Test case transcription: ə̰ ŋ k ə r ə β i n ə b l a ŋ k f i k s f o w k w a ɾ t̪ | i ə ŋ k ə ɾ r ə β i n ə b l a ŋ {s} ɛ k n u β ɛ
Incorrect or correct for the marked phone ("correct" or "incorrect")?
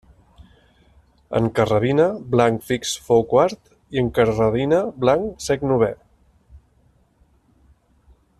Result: correct